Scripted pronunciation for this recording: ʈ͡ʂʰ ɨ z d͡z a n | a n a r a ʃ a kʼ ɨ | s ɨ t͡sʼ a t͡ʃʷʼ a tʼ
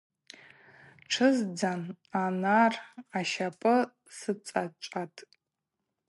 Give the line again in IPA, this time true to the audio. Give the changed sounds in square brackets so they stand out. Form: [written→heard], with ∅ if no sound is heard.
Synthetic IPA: ʈ͡ʂʰ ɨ z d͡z a n | a n a r a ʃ a [kʼ→pʼ] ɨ | s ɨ t͡sʼ a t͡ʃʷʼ a tʼ